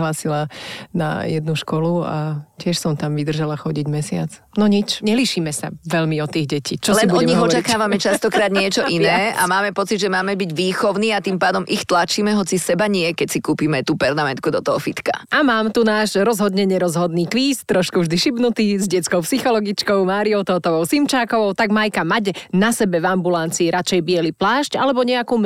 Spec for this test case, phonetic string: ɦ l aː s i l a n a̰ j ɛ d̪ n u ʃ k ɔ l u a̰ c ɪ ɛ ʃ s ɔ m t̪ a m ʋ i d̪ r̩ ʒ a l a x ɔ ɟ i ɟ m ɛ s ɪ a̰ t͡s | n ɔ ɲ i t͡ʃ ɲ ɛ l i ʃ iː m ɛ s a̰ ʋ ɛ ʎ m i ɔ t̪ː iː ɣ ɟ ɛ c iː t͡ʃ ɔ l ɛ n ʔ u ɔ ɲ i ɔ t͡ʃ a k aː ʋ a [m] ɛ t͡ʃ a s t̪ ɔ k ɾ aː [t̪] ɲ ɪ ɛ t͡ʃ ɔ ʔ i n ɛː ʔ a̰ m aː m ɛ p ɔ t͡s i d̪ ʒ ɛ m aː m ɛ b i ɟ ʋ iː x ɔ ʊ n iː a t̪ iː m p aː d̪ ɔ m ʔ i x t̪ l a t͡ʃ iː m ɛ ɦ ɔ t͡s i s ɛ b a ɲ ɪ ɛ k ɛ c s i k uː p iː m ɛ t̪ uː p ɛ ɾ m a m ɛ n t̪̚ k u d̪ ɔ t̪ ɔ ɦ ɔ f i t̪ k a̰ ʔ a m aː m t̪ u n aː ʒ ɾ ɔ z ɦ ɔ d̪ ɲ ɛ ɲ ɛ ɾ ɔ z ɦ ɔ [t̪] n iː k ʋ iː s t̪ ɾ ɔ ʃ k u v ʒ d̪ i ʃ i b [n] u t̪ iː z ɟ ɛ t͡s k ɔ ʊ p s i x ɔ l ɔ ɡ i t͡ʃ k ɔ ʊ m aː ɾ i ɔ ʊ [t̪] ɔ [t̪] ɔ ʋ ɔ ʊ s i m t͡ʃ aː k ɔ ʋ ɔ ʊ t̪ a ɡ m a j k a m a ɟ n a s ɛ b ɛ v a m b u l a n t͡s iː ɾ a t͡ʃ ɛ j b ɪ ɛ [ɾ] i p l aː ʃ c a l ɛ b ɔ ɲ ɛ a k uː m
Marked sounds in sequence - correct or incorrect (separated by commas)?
correct, incorrect, incorrect, correct, correct, correct, incorrect